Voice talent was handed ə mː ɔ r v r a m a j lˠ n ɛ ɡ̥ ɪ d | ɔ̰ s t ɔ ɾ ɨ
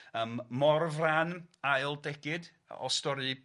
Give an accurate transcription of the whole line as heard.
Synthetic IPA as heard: ə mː ɔ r v r a n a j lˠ d ɛ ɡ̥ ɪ d | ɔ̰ s t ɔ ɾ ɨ